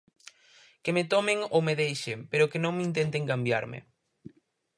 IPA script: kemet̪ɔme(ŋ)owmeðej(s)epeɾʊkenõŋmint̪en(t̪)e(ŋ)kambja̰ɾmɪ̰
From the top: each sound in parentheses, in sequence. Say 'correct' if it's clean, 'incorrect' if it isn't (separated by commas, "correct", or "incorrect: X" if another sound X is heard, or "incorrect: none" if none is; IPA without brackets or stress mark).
correct, incorrect: ʃ, correct, correct